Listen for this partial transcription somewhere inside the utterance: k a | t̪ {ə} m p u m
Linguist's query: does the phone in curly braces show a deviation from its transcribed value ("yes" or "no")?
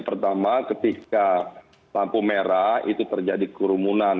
yes